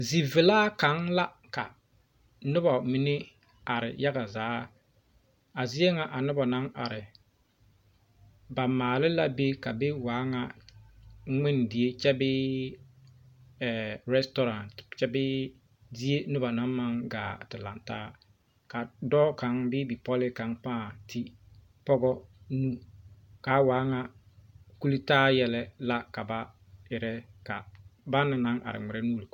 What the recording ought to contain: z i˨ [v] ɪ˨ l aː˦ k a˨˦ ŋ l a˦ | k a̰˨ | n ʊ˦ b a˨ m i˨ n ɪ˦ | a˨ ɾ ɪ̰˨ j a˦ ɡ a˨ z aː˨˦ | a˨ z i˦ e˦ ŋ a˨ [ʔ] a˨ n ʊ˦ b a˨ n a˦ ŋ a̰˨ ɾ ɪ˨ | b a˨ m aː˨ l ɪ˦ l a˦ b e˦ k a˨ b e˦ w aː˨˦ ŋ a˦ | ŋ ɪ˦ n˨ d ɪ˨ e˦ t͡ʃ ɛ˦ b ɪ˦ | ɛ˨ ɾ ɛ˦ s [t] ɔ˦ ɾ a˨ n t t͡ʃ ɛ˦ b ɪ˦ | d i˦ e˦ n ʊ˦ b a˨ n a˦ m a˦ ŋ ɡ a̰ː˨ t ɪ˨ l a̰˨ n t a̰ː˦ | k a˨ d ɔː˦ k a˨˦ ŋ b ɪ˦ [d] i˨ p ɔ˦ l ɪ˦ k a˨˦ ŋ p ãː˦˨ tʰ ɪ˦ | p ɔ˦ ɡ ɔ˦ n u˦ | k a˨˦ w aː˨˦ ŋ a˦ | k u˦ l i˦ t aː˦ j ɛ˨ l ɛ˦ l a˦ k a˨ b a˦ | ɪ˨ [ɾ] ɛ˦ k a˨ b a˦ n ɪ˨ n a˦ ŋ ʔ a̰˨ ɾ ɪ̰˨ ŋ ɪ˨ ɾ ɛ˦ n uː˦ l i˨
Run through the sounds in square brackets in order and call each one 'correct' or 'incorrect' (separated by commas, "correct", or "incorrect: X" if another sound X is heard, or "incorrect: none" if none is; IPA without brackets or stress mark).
correct, correct, correct, incorrect: b, correct